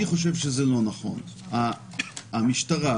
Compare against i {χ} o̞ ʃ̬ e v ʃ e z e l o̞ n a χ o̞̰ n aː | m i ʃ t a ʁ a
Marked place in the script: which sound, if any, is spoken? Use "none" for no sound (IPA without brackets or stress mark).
χ